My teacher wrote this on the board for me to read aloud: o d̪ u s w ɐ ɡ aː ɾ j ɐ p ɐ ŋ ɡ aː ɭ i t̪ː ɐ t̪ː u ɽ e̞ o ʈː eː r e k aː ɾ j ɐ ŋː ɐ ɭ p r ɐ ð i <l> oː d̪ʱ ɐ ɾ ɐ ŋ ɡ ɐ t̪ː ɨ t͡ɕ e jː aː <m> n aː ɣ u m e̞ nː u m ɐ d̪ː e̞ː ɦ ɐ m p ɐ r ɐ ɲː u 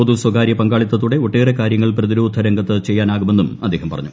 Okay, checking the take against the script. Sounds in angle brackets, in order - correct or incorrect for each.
incorrect: ɾ, incorrect: none

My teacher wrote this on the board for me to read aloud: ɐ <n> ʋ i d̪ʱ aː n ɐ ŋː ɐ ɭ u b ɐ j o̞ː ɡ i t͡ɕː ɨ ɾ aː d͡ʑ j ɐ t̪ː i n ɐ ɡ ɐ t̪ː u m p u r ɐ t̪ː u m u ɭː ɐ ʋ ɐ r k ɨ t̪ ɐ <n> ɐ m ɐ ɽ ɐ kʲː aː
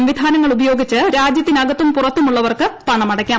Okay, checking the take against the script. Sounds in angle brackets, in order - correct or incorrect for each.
incorrect: m, incorrect: ɳ

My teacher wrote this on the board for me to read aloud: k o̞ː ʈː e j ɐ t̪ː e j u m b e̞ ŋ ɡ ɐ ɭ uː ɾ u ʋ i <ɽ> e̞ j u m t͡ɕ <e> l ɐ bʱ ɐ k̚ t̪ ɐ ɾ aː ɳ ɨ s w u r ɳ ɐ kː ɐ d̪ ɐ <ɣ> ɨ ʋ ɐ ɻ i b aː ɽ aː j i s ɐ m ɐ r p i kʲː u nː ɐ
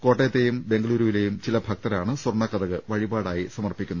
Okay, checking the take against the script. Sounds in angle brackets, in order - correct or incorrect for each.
incorrect: l, incorrect: i, correct

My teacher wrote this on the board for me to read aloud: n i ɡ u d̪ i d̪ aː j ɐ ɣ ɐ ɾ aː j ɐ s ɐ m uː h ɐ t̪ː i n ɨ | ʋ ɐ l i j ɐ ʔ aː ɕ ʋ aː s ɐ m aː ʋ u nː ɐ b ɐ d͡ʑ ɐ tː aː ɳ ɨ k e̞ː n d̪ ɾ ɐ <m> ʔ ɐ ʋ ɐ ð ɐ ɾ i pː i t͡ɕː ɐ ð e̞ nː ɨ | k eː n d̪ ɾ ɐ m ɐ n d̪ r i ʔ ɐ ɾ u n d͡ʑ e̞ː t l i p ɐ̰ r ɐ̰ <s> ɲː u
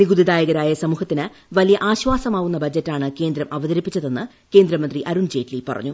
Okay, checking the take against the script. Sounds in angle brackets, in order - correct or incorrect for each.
correct, incorrect: none

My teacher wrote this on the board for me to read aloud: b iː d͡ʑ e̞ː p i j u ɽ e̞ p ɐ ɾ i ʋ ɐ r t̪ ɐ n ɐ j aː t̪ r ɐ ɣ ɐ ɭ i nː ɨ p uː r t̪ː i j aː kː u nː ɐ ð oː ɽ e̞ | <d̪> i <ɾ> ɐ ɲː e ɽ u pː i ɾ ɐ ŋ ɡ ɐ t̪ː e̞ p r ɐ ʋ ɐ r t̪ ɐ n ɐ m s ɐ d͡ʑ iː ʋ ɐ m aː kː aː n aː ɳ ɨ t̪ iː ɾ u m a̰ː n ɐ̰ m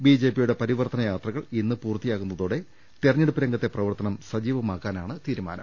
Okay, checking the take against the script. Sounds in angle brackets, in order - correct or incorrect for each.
incorrect: t̪, incorrect: r

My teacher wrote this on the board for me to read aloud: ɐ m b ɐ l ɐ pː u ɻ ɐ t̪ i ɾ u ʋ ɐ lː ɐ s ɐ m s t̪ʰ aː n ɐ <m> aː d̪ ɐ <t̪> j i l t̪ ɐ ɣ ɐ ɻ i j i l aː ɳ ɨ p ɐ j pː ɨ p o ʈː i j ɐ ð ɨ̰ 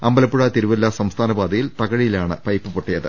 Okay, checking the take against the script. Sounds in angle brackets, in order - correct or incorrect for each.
incorrect: b, incorrect: none

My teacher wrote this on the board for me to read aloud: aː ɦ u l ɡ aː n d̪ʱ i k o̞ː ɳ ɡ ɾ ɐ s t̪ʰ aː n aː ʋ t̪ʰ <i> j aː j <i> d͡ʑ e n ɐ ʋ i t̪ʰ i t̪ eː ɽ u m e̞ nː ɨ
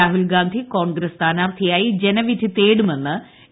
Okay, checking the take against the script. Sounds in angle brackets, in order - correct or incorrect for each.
correct, correct

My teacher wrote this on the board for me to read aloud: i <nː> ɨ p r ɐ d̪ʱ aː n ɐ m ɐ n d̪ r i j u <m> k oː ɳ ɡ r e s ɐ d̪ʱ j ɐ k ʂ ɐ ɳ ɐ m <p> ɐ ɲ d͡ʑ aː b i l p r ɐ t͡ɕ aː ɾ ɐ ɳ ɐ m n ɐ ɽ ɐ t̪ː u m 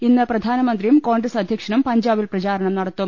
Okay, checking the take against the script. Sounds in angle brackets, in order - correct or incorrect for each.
correct, correct, correct

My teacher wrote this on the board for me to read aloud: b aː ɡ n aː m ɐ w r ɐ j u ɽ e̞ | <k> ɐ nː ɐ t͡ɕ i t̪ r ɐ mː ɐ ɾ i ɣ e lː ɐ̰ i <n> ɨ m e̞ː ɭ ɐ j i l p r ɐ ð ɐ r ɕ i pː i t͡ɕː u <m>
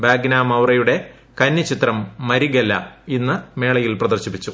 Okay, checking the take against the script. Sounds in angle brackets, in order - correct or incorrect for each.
correct, incorrect: nː, incorrect: none

